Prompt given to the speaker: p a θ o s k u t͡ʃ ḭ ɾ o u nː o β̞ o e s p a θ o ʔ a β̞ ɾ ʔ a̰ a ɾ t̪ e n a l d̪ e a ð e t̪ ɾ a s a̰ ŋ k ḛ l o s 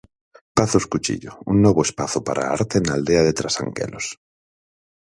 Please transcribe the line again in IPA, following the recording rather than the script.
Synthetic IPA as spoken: p a θ o s k u t͡ʃ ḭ ʎ o u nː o β̞ o e s p a θ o p a ɾ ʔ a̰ a ɾ t̪ e n a l d̪ e a ð e t̪ ɾ a s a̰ ŋ k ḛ l o s